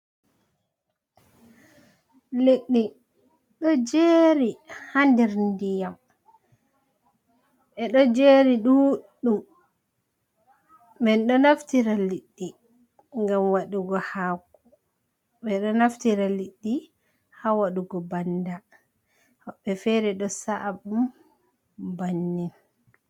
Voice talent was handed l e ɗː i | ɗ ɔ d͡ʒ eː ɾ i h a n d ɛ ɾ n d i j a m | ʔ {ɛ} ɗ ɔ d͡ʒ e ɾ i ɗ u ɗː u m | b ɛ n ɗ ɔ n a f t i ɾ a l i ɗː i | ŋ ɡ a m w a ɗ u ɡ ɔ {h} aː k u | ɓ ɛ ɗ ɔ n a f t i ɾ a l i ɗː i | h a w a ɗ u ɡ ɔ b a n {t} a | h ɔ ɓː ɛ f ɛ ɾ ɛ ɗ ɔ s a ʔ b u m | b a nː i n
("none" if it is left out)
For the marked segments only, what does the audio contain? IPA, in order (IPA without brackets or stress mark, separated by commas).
ɛ, h, d